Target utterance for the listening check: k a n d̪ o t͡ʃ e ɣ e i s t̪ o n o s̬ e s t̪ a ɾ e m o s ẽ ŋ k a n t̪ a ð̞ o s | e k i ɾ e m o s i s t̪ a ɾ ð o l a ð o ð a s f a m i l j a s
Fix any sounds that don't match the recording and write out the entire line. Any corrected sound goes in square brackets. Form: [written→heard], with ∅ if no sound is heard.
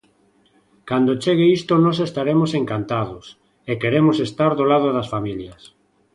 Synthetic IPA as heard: k a n d̪ o t͡ʃ e ɣ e i s t̪ o n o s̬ e s t̪ a ɾ e m o s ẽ ŋ k a n t̪ a ð̞ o s | e k [i→e] ɾ e m o s [i→e] s t̪ a ɾ ð o l a ð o ð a s f a m i l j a s